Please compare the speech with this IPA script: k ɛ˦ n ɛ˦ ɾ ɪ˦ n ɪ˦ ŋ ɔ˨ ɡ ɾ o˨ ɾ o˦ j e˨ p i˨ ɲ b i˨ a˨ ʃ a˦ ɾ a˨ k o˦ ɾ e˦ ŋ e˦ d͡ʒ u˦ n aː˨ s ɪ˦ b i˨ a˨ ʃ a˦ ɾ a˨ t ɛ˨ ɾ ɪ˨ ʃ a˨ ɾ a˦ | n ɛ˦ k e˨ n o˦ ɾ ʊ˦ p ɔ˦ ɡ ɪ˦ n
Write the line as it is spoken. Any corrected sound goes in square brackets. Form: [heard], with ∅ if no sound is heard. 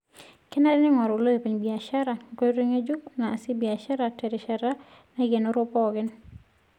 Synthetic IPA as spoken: k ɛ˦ n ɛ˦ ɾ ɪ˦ n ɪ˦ ŋ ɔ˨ [∅] ɾ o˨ [l] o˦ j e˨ p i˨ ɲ b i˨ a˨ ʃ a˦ ɾ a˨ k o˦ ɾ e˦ ŋ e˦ d͡ʒ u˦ n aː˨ s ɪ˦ b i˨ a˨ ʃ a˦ ɾ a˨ t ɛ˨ ɾ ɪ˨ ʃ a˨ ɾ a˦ | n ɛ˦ [ɡ] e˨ n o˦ ɾ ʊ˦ p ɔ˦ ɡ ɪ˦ n